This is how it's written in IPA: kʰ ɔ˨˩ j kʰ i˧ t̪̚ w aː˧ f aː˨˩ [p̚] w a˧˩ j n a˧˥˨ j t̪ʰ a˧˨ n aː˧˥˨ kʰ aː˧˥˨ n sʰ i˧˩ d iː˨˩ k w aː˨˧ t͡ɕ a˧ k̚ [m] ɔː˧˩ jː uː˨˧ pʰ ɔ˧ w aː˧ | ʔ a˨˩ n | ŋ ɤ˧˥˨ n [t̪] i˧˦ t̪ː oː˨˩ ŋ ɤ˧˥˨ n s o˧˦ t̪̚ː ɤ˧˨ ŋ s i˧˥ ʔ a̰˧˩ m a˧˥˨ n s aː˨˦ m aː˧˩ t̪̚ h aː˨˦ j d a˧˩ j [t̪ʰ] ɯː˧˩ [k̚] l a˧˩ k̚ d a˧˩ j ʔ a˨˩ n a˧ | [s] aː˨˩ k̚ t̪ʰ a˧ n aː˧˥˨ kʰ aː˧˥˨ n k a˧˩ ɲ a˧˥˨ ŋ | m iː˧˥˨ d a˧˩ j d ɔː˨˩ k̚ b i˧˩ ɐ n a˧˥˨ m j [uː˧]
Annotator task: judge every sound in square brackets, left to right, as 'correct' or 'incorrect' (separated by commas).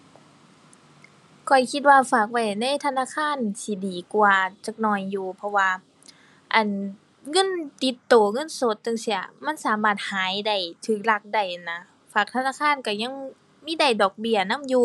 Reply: incorrect, incorrect, correct, correct, correct, incorrect, correct